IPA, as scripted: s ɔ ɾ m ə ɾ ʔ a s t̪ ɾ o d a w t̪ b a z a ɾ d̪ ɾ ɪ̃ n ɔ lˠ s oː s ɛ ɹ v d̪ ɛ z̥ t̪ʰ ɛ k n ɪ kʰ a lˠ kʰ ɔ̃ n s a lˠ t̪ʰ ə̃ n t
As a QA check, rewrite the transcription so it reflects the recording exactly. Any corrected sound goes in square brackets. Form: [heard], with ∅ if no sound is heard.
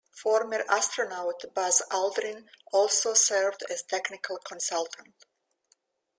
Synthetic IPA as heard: [f] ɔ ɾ m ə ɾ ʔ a s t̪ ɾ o [n] a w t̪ b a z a [l] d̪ ɾ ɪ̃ n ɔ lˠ s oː s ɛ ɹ v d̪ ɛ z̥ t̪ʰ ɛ k n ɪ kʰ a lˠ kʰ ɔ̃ n s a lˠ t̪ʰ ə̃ n t